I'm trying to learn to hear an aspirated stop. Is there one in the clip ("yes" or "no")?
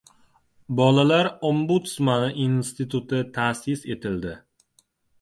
yes